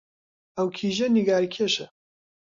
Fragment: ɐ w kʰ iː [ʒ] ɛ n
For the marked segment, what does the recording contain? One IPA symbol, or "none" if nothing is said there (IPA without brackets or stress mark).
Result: ʒ